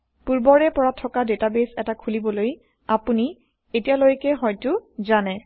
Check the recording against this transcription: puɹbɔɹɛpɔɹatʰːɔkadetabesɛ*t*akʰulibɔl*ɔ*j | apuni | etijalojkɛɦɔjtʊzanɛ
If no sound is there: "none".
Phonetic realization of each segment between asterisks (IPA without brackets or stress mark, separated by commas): t, o